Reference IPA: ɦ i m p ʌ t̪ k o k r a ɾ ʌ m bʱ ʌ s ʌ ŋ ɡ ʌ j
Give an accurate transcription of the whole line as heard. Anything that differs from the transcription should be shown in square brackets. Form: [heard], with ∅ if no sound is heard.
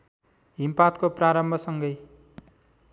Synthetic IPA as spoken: ɦ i m p [a] t̪ k o [p] r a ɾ ʌ m bʱ ʌ s ʌ ŋ ɡ ʌ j